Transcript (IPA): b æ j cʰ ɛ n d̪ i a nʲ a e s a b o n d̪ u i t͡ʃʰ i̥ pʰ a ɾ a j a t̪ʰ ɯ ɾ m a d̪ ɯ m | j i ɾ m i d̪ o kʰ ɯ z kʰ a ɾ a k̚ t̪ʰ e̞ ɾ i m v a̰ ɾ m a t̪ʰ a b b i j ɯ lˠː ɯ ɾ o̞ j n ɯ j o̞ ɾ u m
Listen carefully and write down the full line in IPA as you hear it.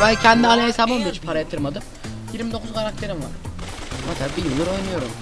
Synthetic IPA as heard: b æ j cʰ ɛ n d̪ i a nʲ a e s a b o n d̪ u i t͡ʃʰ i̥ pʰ a ɾ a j a t̪ʰ ɯ ɾ m a d̪ ɯ m | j i ɾ m i d̪ o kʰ u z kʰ a ɾ a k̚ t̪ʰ e̞ ɾ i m v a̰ ɾ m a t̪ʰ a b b i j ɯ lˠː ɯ ɾ o̞ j n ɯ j o̞ ɾ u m